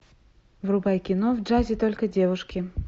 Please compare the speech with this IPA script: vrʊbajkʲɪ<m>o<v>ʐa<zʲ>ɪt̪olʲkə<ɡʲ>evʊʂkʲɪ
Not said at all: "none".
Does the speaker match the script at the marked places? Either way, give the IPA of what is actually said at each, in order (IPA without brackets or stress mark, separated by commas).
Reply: n, v, zʲ, dʲ